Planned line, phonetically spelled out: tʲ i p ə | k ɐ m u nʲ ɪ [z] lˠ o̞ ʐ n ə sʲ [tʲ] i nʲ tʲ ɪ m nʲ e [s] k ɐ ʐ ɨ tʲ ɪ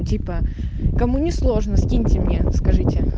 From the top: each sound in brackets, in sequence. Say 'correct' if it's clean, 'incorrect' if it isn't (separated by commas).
incorrect, incorrect, correct